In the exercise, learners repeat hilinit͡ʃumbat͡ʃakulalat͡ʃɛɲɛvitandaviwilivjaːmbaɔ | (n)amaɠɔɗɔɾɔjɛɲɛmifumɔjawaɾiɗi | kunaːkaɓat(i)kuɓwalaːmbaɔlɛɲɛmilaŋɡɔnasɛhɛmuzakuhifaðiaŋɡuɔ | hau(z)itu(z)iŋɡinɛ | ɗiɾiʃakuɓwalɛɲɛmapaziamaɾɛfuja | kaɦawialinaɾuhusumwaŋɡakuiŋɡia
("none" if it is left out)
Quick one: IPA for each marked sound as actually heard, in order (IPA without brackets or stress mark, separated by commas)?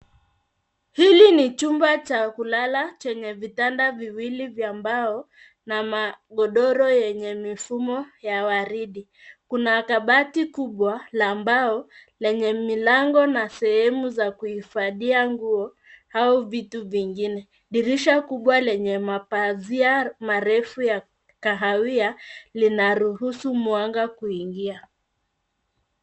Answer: n, i, v, v